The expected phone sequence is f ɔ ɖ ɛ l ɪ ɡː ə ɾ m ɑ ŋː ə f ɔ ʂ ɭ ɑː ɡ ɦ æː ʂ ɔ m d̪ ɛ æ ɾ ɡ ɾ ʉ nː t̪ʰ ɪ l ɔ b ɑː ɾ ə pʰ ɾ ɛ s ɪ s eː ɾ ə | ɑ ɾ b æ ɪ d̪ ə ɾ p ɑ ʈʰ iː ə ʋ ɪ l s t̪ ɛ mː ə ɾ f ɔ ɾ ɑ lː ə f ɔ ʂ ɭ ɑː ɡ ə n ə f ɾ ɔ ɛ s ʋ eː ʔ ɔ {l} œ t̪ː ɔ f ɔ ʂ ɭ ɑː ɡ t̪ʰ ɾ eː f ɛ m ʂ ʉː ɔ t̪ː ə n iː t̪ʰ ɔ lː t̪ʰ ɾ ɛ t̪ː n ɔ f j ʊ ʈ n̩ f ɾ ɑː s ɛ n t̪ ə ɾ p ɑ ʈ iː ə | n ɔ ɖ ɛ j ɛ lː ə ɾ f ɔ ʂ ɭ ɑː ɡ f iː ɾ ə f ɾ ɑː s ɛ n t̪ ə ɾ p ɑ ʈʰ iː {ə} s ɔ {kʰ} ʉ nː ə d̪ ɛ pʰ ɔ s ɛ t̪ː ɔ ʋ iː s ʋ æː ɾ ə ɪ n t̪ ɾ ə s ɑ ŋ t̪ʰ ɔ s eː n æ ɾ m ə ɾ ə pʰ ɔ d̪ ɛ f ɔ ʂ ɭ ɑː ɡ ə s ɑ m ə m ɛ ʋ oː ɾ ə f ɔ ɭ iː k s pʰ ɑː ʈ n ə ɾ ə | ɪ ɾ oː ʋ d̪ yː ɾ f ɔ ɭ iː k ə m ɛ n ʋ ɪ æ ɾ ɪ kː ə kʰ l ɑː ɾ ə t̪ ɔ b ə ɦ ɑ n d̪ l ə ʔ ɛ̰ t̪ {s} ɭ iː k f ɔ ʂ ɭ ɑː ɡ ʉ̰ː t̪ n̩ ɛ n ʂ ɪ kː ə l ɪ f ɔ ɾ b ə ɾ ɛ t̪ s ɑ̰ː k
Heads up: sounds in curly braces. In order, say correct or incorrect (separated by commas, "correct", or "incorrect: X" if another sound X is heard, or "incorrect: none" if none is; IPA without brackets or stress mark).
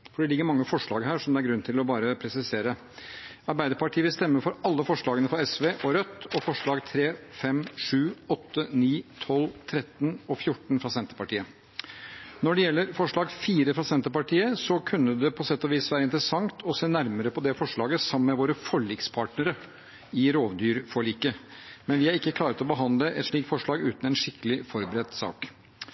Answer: incorrect: ɾ, correct, correct, incorrect: ʂ